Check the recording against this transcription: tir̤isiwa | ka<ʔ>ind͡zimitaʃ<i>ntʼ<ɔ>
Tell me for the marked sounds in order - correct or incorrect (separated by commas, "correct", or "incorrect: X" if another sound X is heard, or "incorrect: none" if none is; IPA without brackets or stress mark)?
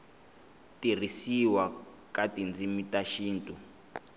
incorrect: t, incorrect: iː, incorrect: u